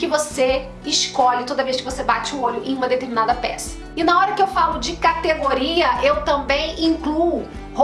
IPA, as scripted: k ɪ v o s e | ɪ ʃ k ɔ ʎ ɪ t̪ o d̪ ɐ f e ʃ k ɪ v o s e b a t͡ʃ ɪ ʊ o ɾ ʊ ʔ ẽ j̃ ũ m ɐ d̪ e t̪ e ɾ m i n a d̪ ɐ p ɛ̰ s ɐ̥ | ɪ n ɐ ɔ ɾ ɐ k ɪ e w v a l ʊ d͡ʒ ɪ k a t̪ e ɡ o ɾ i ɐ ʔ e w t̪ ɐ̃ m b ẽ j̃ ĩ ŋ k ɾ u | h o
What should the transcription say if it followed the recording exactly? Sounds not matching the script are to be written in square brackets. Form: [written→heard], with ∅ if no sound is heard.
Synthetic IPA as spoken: k ɪ v o s e | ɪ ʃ k ɔ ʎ ɪ t̪ o d̪ ɐ [f→v] e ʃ k ɪ v o s e b a t͡ʃ ɪ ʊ o [ɾ→ʎ] ʊ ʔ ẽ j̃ ũ m ɐ d̪ e t̪ e ɾ m i n a d̪ ɐ p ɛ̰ s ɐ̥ | ɪ n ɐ ɔ ɾ ɐ k ɪ e w [v→f] a l ʊ d͡ʒ ɪ k a t̪ e ɡ o ɾ i ɐ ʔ e w t̪ ɐ̃ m b ẽ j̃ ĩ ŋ k [ɾ→l] u | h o